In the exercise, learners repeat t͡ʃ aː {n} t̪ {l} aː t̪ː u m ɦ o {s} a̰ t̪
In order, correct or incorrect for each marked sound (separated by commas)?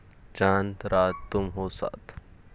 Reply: correct, incorrect, correct